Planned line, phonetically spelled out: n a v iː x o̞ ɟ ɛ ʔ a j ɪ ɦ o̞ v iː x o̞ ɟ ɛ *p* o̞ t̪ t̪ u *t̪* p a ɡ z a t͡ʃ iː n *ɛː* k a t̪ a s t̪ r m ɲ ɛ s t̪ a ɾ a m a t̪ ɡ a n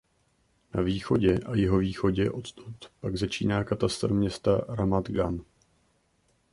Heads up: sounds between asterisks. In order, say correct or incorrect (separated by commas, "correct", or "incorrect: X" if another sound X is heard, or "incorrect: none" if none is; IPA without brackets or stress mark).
incorrect: ʔ, correct, incorrect: aː